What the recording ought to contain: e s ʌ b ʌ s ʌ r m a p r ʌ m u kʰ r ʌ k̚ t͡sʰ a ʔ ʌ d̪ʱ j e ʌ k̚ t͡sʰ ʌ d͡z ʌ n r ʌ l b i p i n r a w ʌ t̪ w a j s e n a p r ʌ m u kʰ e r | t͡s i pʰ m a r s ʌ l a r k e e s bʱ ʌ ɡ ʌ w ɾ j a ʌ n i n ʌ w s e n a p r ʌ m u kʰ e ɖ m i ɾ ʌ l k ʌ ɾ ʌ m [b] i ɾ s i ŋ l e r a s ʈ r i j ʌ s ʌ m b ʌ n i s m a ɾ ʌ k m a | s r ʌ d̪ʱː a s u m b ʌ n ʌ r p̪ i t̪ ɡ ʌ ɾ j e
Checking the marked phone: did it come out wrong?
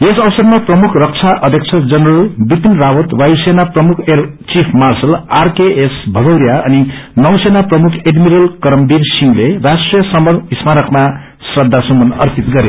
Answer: no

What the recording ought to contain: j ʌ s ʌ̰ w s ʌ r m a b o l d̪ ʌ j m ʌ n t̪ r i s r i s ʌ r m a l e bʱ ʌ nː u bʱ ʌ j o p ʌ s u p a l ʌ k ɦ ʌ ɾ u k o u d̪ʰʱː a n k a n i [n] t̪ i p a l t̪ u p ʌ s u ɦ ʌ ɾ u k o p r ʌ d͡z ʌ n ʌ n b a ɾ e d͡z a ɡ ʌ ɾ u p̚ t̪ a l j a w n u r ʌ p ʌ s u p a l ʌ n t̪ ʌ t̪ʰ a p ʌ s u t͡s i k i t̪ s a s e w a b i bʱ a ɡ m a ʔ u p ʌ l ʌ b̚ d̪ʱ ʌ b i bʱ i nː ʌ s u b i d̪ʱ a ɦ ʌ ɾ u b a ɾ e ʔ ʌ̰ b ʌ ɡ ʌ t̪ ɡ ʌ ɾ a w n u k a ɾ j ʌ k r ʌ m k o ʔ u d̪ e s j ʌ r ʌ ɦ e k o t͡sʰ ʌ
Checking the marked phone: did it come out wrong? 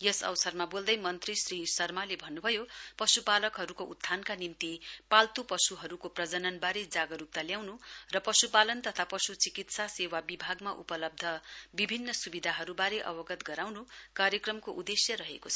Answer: yes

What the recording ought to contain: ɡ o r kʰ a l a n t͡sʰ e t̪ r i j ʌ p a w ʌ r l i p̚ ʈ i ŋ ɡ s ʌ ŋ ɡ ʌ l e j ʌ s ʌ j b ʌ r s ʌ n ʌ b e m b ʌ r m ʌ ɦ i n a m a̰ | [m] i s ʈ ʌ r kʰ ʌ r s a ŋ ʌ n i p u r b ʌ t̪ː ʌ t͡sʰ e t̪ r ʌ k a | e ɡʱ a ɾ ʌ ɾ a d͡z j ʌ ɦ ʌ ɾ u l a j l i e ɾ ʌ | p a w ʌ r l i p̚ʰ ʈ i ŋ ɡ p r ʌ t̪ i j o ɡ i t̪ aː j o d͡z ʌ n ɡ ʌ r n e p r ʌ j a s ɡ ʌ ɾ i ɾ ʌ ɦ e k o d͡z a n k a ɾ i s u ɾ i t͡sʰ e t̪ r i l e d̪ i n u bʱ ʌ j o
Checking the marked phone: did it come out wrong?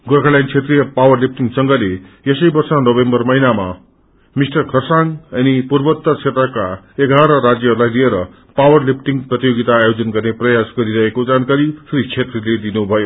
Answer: no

